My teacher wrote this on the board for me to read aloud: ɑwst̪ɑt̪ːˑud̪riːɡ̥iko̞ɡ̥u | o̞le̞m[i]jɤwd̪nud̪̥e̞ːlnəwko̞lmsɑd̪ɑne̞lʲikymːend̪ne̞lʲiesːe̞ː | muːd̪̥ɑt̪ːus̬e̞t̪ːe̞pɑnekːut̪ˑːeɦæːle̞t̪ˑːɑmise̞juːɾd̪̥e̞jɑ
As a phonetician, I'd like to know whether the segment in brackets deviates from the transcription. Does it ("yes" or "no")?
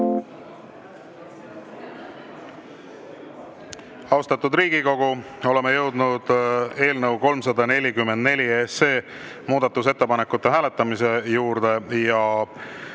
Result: yes